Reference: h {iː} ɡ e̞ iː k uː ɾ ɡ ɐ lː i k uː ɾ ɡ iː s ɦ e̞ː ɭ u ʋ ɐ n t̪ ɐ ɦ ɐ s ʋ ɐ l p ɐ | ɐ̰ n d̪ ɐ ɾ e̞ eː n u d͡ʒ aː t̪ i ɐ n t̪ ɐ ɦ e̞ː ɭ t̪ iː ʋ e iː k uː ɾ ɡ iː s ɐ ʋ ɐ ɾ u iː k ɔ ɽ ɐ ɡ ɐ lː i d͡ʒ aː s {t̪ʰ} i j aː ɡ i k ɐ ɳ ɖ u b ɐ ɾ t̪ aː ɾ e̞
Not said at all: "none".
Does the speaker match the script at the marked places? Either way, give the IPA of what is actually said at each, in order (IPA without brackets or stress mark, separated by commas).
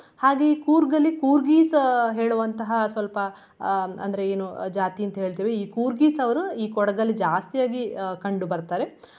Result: aː, t̪